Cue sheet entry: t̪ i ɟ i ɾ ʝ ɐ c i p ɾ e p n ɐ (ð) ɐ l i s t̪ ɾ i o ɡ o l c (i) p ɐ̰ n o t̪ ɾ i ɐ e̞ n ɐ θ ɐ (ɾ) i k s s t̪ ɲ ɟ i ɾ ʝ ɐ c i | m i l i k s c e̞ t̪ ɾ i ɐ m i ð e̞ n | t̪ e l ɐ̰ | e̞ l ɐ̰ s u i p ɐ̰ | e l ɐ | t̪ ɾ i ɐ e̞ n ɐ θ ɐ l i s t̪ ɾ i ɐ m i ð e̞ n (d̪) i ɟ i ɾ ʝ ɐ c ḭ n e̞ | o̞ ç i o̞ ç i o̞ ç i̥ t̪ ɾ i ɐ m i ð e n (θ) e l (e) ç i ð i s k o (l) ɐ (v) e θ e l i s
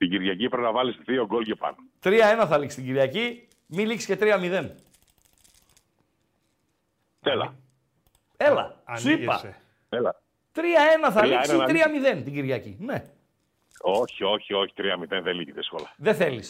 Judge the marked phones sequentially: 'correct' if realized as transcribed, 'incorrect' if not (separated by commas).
incorrect, incorrect, incorrect, incorrect, incorrect, incorrect, correct, incorrect